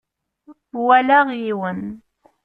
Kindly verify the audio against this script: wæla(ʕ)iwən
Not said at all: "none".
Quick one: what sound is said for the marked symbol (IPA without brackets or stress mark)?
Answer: ʁ